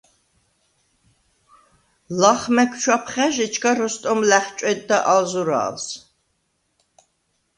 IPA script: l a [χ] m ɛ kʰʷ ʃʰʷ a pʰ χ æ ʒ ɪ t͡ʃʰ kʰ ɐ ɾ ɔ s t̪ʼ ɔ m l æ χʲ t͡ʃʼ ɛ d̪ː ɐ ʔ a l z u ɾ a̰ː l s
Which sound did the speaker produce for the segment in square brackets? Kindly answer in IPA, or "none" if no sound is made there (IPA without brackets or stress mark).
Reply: χ